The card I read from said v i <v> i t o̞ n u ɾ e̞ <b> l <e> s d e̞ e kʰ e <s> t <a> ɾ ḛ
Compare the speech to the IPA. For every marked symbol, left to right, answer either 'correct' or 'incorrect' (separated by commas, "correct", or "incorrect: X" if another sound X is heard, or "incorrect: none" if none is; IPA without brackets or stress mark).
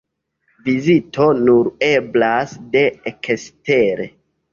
incorrect: z, correct, incorrect: a, correct, incorrect: e